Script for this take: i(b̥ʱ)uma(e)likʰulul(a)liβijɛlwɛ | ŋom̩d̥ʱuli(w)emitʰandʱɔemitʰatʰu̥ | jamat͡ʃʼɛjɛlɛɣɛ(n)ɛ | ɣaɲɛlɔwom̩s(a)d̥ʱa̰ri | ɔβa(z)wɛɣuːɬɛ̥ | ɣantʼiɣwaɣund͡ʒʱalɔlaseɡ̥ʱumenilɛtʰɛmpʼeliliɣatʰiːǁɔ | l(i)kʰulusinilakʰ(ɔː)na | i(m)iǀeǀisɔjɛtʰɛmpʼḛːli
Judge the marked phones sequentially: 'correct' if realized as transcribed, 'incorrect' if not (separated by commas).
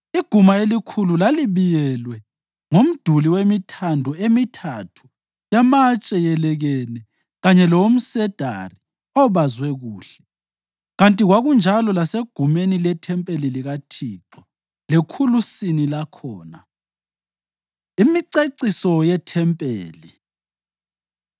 incorrect, correct, correct, correct, correct, incorrect, correct, incorrect, correct, correct